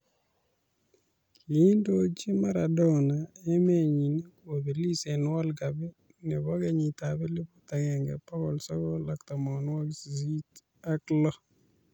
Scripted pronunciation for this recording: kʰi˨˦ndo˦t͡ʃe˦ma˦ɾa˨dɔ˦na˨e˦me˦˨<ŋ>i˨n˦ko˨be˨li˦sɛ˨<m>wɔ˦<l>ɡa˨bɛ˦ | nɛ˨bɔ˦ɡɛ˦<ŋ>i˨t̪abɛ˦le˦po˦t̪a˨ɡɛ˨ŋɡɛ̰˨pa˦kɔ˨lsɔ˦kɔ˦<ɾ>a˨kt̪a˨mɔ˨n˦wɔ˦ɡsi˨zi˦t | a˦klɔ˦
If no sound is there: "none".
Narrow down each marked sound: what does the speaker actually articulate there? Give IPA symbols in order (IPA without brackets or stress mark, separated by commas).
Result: ɲ, n, l, ɲ, l